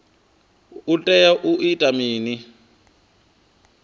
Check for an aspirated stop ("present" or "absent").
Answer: absent